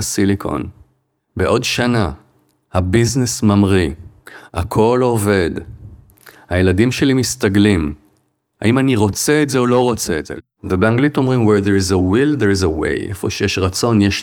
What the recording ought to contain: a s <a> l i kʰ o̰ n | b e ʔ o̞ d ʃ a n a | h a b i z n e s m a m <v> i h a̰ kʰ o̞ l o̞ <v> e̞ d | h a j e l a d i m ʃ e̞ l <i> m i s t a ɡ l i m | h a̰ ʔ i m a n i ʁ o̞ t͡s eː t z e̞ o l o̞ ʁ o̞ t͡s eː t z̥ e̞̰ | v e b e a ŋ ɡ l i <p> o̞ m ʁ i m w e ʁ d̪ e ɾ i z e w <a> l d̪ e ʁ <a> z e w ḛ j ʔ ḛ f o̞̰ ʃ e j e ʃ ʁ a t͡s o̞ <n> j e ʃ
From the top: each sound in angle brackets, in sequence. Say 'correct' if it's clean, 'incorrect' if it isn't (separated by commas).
incorrect, incorrect, correct, correct, incorrect, incorrect, incorrect, correct